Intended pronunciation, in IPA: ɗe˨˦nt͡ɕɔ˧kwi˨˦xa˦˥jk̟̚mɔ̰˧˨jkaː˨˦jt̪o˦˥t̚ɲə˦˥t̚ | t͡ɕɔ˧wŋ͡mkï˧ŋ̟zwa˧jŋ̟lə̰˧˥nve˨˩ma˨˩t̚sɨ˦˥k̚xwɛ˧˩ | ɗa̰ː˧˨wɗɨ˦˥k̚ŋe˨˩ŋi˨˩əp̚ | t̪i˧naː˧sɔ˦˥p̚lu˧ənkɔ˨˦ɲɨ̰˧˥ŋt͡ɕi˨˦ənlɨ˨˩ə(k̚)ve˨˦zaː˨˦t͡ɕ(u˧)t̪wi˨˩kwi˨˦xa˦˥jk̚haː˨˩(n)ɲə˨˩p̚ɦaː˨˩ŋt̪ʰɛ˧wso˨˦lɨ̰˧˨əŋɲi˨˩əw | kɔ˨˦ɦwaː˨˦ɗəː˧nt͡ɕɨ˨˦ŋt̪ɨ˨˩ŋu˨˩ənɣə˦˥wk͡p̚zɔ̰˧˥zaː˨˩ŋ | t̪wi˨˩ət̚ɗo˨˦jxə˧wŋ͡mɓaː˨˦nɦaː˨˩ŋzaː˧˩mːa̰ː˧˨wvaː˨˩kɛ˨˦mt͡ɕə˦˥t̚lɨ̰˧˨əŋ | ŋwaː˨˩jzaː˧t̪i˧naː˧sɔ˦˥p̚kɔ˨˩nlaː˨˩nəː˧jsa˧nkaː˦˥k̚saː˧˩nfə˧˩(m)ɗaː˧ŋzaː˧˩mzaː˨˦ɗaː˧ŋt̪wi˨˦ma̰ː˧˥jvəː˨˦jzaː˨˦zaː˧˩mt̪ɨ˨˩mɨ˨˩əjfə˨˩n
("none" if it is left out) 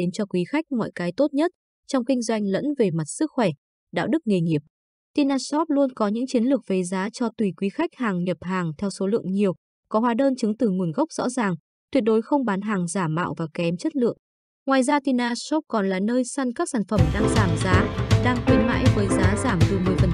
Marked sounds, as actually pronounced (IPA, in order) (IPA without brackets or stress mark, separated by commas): k̚, ɔ˧, ŋ, m